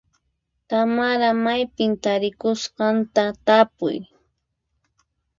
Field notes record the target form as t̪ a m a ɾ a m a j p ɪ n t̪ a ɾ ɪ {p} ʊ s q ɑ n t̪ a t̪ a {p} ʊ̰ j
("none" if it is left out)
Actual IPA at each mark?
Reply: k, p

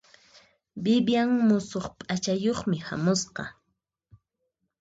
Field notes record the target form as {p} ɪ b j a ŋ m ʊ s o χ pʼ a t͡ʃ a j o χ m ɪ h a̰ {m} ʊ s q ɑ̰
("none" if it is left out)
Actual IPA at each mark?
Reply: b, m

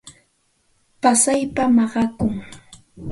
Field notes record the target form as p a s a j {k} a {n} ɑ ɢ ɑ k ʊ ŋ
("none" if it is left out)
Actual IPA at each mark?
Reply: p, m

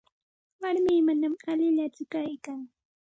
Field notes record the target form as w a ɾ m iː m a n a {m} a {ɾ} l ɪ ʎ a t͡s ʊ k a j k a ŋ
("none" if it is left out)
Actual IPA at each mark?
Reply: m, none

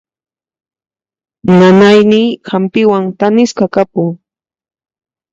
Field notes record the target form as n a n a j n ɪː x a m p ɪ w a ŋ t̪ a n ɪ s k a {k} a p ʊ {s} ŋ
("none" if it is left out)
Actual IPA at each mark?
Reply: k, none

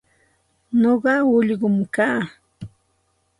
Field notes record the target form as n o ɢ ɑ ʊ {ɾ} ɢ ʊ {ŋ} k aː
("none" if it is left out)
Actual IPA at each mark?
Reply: ʎ, m

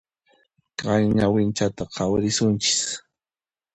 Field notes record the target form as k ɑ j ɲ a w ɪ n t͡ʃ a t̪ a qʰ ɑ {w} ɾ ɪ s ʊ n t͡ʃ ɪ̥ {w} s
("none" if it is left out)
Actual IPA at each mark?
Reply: w, none

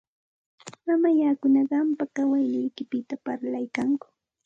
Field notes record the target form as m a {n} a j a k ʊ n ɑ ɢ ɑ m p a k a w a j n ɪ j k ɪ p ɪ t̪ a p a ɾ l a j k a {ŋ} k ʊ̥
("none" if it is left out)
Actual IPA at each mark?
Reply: m, ŋ

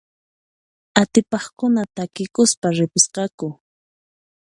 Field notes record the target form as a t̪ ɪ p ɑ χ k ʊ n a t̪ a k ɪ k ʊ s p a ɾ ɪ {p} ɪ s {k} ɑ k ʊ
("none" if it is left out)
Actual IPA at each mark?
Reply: p, q

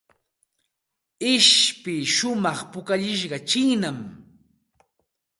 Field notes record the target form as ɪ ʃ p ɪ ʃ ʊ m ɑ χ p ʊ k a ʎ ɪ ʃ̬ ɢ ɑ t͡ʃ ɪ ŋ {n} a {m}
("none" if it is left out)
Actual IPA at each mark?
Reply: n, m

